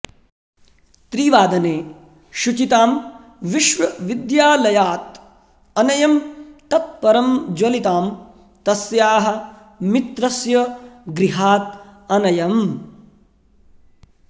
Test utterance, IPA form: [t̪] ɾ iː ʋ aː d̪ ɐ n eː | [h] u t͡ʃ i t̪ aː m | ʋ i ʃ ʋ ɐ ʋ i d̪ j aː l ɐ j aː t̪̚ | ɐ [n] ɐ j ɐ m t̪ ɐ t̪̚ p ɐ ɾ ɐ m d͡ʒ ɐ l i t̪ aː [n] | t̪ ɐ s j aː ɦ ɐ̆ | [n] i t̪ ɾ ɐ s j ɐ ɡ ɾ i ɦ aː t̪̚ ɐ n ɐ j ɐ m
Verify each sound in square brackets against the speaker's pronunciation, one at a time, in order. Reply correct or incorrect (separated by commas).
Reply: correct, incorrect, correct, incorrect, incorrect